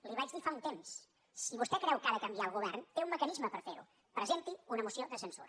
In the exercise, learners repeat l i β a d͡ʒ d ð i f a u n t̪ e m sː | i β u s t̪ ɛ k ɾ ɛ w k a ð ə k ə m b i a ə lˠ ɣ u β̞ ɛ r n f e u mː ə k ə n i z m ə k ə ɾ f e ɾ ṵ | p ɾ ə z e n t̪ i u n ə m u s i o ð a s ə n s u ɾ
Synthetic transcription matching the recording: l i β a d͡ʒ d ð i f a u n t̪ e m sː | i β u s t̪ ɛ k ɾ ɛ w k a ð ə k ə m b i a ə lˠ ɣ u β̞ ɛ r n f e u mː ə k ə n i z m ə p ə ɾ f e ɾ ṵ | p ɾ ə z e n t̪ i u n ə m u s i o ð ə s ə n s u ɾ

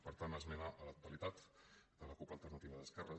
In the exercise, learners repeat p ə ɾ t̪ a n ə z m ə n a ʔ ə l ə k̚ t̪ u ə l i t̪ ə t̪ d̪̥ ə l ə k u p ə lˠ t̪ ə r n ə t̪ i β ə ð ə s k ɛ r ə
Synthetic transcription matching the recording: p ə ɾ t̪ a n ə z m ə n a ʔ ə l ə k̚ t̪ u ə l i t̪ a t̪ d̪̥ ə l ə k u p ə lˠ t̪ ə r n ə t̪ i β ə ð ə s k ɛ r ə

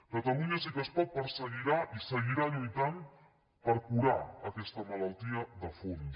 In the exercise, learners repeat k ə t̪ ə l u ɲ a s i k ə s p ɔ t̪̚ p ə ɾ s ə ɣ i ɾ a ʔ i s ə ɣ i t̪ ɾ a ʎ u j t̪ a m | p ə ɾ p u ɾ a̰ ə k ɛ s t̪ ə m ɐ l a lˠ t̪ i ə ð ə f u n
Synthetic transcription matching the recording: k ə t̪ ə l u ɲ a s i k ə s p ɔ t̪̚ p ə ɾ s ə ɣ i ɾ a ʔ i s ə ɣ i ɾ a ʎ u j t̪ a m | p ə ɾ k u ɾ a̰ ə k ɛ s t̪ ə m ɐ l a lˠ t̪ i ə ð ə f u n

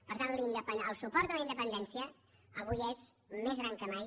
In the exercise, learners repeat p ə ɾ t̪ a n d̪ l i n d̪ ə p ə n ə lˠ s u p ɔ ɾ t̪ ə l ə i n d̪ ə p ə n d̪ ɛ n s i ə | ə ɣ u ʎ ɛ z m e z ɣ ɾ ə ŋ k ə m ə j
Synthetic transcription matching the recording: p ə ɾ t̪ a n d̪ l i n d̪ ə p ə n ə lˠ s u p ɔ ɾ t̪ ə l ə i n d̪ ə p ə n d̪ ɛ n s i ə | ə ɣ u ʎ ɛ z m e z ɣ ɾ a ŋ k ə m a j

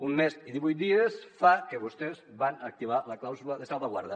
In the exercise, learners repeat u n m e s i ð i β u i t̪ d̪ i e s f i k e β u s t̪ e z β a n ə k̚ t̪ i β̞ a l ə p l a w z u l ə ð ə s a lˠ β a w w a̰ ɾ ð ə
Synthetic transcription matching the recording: u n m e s i ð i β u j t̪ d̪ i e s f a k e β u s t̪ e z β a n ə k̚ t̪ i β̞ a l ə k l a w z u l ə ð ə s a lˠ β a ɣ w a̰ ɾ ð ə

